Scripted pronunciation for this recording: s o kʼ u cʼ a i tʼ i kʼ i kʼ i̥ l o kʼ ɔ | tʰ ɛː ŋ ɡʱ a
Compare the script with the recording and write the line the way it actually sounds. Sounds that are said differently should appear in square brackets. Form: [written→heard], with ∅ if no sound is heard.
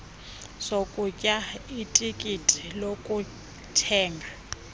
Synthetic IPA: s o kʼ u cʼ a i tʼ i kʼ i [kʼ→tʼ] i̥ l o kʼ [ɔ→u] | tʰ ɛː ŋ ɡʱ a